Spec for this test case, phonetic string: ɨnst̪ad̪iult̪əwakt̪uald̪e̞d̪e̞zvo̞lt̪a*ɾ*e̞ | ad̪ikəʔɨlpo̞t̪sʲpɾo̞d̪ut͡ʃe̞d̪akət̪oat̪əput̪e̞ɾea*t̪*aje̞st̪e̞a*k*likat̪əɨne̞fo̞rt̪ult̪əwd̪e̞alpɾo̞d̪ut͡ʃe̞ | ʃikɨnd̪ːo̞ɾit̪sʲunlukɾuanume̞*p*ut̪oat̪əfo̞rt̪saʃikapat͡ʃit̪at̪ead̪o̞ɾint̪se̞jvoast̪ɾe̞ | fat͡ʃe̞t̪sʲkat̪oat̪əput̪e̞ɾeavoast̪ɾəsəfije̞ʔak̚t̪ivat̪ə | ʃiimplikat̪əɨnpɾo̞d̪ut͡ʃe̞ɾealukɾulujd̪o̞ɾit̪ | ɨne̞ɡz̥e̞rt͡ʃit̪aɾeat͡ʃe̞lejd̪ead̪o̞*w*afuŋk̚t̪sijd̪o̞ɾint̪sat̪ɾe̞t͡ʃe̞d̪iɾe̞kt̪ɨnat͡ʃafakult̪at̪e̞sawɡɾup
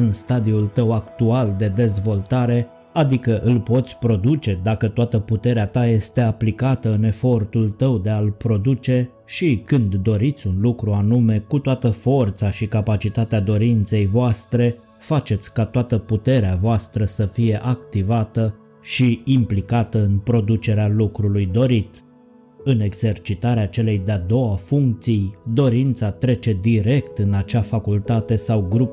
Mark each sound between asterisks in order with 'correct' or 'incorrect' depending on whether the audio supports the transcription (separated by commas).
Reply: correct, correct, incorrect, incorrect, correct